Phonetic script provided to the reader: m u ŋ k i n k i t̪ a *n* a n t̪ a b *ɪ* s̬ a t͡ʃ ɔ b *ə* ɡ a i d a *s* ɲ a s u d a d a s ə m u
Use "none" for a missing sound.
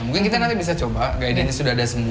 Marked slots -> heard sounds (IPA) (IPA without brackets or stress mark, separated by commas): n, i, a, none